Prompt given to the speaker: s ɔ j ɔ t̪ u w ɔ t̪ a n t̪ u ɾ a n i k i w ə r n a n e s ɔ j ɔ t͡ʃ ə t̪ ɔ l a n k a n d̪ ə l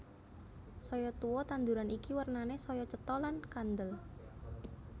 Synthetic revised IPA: s ɔ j ɔ t̪ u w ɔ t̪ a n d̪ u ɾ a n i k i w ə r n a n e s ɔ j ɔ t͡ʃ ə t̪ ɔ l a n k a n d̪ ə l